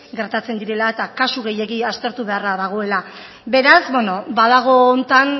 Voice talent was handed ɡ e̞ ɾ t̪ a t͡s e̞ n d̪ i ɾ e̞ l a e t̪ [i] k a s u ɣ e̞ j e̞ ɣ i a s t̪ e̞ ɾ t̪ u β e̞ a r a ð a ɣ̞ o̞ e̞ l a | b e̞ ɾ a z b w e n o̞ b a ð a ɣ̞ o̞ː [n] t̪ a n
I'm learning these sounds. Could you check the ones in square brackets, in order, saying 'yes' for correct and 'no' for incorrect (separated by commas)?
no, yes